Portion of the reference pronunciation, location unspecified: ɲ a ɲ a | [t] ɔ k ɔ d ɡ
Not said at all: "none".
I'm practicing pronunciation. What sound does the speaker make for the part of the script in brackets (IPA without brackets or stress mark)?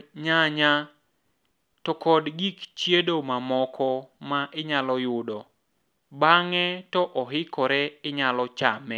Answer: t